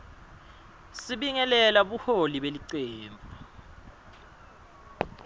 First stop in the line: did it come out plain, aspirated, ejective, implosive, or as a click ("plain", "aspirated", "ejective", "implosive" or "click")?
implosive